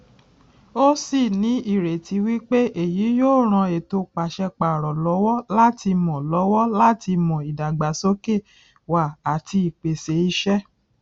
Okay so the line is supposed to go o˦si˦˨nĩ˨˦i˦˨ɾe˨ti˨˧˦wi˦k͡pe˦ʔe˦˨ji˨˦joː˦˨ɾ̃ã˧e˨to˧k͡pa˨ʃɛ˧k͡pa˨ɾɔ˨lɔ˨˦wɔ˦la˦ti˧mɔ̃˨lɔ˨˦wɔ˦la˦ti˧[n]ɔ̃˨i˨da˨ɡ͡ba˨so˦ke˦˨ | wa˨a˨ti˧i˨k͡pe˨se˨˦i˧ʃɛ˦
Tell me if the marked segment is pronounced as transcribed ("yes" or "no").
no